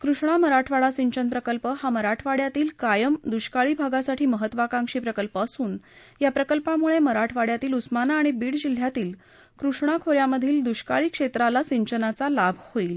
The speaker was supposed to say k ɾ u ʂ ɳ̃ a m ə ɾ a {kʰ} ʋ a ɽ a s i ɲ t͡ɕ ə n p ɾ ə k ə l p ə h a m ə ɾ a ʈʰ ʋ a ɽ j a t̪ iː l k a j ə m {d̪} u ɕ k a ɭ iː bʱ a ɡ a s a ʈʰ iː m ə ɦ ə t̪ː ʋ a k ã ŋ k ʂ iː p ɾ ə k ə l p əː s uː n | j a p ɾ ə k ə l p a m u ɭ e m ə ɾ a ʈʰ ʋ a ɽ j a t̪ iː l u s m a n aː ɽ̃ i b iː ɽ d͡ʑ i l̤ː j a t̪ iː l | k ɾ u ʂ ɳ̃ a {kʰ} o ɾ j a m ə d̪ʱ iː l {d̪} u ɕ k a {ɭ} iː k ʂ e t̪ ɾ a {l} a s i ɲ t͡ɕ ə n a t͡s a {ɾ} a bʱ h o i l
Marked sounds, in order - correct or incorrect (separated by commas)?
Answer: incorrect, correct, correct, correct, correct, correct, incorrect